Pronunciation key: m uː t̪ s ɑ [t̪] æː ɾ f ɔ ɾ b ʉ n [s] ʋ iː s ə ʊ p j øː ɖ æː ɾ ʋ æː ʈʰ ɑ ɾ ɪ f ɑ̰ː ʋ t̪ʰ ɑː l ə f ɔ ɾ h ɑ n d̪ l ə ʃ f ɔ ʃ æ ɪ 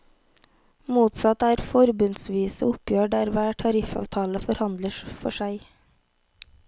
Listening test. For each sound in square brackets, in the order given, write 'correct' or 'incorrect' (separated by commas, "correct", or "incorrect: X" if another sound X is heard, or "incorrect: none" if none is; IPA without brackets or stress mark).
correct, correct